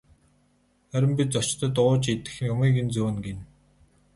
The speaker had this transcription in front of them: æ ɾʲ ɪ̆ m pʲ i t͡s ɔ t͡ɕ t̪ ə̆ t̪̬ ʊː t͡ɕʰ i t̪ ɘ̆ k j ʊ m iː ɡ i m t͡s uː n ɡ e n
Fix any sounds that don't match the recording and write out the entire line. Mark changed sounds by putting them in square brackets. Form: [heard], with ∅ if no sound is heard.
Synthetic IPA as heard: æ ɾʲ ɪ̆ m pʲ i t͡s ɔ t͡ɕ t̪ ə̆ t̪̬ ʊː [t͡ɕ] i t̪ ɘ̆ [x] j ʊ m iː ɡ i [n] t͡s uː n ɡ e n